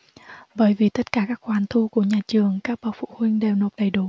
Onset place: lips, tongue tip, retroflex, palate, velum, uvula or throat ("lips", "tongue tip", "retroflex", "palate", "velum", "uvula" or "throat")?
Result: lips